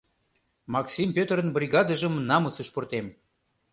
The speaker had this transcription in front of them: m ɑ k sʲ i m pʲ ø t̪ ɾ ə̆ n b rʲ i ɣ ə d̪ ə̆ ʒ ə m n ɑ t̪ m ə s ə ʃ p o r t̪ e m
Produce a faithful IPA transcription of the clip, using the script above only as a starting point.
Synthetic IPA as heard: m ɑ k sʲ i m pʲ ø t̪ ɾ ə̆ n b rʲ i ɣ ɑ d̪ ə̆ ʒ ə m n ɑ m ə s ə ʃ p o r t̪ e m